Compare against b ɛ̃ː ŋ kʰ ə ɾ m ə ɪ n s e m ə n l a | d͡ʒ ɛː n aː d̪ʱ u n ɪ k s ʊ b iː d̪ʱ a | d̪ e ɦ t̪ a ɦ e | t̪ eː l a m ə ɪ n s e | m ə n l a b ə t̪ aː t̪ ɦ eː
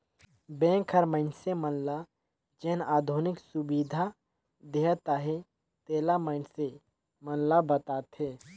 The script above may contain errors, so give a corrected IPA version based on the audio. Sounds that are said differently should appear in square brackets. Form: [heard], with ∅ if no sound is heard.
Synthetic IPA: b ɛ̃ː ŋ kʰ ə ɾ m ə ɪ n s e m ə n l a | d͡ʒ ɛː n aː d̪ʱ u n ɪ k s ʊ b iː d̪ʱ a | d̪ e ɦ t̪ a ɦ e | t̪ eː l a m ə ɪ n s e | m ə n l a b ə t̪ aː t̪ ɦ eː